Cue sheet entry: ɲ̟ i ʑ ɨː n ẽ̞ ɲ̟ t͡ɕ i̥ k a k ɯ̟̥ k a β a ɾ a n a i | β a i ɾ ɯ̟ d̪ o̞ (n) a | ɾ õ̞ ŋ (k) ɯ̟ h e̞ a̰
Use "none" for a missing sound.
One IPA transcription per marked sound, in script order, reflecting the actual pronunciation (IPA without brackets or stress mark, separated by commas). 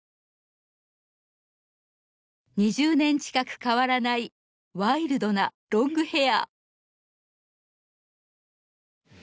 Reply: n, ɡ